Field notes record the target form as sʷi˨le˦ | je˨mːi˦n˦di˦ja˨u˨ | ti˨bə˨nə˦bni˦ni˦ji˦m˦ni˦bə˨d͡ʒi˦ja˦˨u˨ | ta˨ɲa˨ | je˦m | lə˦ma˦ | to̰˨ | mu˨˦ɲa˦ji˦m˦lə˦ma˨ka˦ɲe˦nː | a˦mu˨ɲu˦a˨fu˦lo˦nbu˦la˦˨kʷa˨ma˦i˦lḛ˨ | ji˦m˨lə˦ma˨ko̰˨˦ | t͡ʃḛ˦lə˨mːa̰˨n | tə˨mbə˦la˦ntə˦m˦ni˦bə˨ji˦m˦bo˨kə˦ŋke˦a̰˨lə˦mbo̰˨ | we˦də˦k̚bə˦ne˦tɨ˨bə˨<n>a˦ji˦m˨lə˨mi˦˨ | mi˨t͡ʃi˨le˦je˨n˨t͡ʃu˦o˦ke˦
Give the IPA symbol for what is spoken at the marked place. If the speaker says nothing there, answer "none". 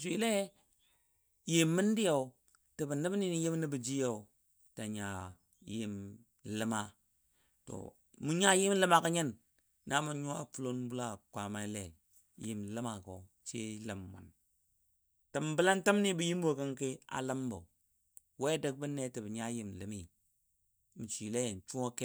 ɲ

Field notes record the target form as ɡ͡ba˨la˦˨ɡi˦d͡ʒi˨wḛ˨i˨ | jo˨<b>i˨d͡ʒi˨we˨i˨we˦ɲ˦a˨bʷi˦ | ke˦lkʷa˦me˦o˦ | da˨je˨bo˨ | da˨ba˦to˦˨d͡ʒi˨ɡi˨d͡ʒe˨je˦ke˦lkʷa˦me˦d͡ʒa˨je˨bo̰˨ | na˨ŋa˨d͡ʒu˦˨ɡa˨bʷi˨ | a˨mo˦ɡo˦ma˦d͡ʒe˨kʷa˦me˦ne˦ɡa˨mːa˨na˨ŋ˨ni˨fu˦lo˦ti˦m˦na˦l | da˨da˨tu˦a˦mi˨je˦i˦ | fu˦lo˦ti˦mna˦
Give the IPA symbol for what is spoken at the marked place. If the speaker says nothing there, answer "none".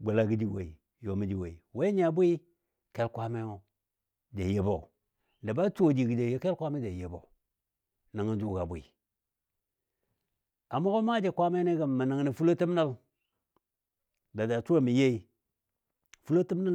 m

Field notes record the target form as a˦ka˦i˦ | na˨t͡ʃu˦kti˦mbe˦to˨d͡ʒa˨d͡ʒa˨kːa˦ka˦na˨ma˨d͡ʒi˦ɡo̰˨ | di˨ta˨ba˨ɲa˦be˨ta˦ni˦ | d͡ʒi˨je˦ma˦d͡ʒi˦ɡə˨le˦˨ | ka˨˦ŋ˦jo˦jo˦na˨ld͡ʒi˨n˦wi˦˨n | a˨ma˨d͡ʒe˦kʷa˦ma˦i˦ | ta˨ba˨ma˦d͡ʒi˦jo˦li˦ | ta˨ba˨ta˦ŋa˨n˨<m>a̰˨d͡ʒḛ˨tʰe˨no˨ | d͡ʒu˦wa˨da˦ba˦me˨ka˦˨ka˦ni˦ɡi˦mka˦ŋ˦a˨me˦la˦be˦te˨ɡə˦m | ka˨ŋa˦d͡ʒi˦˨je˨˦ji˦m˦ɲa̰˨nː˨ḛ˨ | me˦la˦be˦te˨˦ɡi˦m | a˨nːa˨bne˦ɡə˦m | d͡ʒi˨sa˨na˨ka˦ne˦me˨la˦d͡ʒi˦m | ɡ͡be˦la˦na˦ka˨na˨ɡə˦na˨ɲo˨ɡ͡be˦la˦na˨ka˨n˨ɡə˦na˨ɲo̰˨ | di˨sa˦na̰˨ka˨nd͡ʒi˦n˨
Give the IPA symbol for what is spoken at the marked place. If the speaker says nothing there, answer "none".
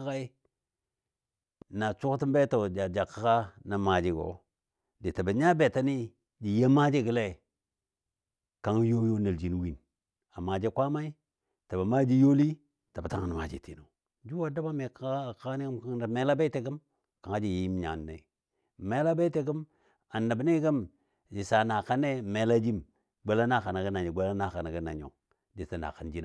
m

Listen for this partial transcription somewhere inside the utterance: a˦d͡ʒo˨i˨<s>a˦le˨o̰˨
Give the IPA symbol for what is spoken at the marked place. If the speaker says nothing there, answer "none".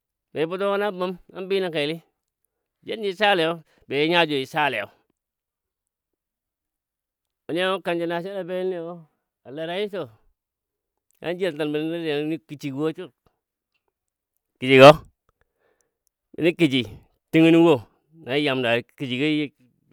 s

